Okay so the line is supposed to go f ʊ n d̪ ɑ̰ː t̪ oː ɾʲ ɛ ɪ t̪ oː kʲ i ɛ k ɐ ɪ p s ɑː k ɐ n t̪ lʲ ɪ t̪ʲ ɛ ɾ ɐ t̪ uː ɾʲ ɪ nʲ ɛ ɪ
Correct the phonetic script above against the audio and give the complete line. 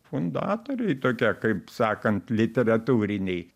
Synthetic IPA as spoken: f ʊ n d̪ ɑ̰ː t̪ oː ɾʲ ɛ ɪ t̪ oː kʲ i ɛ k ɐ ɪ p s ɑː k ɐ n t̪ lʲ ɪ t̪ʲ ɛ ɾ ɐ t̪ uː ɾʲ ɪ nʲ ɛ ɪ